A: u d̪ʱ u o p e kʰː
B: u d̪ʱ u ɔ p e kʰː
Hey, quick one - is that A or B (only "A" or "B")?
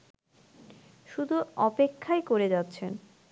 B